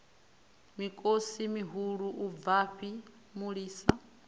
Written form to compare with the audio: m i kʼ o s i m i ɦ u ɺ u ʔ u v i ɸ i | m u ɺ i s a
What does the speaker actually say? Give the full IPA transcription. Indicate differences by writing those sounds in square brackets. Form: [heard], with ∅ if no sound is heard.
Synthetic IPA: m i kʼ o s i m i ɦ u ɺ u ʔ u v [a] ɸ i | m u ɺ [iː] s a